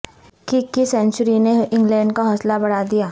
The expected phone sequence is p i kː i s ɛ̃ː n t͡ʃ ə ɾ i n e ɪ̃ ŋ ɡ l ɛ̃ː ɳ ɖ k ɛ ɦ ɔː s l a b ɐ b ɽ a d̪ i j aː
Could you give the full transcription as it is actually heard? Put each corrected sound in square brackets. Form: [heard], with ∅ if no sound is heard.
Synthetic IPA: [k] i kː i s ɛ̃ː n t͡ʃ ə ɾ i n e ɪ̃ ŋ ɡ l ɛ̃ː ɳ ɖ k [a] ɦ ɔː s l a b ɐ [∅] ɽ a d̪ i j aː